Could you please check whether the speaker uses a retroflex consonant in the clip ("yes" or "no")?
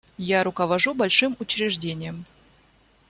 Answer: yes